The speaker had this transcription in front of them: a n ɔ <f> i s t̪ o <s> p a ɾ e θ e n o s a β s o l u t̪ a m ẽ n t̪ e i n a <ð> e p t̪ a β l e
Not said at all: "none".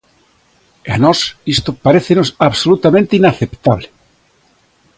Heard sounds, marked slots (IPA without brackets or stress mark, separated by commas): s, none, θ